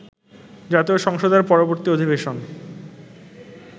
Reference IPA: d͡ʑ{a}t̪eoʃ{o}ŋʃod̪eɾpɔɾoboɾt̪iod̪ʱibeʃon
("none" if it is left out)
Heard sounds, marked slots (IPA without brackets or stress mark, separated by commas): a, ɔ